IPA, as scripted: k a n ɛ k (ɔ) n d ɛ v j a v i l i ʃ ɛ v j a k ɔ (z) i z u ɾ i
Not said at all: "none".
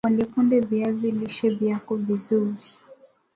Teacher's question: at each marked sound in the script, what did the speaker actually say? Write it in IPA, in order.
u, v

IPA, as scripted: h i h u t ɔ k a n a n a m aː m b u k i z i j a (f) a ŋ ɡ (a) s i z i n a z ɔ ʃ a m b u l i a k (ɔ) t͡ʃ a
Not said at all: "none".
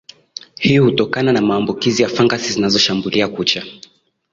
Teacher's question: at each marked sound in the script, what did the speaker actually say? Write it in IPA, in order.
f, a, u

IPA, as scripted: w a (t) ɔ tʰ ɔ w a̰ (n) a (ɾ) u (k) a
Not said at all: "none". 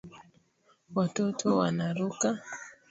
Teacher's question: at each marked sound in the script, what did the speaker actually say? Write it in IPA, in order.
t, n, ɾ, k

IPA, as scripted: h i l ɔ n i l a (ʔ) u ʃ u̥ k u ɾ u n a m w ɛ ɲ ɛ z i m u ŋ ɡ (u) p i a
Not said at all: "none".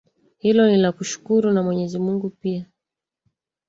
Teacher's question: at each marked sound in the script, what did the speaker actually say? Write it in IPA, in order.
k, u

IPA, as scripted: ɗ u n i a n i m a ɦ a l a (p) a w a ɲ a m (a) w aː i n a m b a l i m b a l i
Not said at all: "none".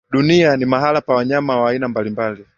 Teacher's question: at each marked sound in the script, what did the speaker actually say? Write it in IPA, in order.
p, a

